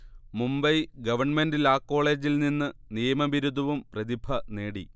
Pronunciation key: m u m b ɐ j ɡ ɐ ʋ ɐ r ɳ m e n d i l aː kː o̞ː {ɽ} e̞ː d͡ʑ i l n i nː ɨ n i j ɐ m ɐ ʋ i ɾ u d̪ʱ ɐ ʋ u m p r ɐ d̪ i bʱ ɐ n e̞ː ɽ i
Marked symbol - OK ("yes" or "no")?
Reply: no